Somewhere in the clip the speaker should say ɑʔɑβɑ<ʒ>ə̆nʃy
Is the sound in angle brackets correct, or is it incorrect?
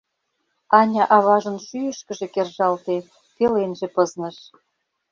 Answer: correct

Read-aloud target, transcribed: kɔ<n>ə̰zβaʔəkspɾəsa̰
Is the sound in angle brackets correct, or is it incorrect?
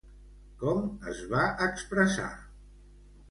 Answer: incorrect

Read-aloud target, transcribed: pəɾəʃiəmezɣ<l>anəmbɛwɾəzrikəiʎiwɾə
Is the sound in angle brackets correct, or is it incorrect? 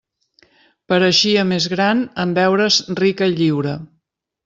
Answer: incorrect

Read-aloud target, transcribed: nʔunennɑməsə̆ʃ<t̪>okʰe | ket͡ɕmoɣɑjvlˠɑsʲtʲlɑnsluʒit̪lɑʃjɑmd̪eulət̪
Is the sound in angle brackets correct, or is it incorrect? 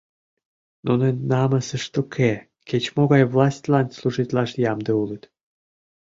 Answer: correct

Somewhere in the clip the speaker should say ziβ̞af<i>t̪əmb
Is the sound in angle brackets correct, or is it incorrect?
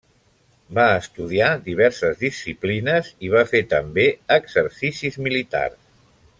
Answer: incorrect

